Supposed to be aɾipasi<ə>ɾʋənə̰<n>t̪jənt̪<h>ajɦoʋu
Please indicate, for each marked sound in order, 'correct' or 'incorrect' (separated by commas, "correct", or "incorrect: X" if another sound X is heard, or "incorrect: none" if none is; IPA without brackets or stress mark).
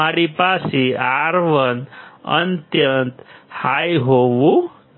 incorrect: a, correct, correct